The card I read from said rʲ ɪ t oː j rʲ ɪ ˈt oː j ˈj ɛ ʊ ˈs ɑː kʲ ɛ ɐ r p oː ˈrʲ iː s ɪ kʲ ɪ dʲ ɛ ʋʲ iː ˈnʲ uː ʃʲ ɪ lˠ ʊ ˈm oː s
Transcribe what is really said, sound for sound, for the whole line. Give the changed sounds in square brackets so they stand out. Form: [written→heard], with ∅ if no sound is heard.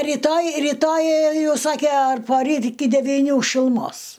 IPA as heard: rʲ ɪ t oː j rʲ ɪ ˈt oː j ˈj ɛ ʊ ˈs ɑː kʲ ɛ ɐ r p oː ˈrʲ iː [s→t] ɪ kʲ ɪ dʲ ɛ ʋʲ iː ˈnʲ uː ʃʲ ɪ lˠ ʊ ˈm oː s